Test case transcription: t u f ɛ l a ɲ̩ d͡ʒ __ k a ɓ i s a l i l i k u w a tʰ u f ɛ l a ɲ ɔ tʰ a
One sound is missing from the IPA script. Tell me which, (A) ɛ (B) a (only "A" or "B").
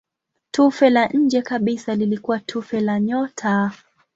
A